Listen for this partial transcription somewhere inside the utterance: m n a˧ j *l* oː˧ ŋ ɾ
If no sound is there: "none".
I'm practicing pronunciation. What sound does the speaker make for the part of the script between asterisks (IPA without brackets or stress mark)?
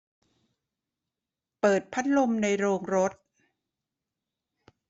ɾ